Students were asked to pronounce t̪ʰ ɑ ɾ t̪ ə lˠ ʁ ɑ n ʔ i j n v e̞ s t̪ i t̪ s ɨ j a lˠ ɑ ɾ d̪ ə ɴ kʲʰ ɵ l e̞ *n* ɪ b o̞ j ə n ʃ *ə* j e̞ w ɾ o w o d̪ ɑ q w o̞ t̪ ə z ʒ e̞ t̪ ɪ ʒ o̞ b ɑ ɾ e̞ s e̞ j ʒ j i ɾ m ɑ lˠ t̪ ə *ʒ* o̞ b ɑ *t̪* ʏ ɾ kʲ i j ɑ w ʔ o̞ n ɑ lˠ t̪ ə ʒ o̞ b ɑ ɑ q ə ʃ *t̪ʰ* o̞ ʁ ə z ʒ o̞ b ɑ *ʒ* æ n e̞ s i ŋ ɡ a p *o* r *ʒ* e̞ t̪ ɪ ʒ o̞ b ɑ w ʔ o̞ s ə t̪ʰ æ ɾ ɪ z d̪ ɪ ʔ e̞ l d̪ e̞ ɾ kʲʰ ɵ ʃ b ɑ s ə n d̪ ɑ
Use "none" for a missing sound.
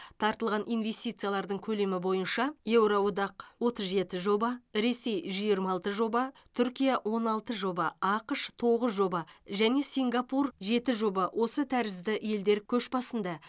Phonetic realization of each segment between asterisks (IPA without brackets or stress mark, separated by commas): m, ɑ, ʒ, t̪ʰ, t̪ʰ, ʒ, u, ʒ